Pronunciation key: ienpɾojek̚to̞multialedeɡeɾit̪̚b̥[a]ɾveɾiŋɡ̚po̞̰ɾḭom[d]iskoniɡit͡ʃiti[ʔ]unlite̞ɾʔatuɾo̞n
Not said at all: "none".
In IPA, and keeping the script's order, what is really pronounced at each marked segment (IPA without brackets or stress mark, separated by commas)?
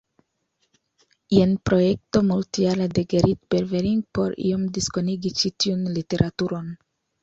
e, d, none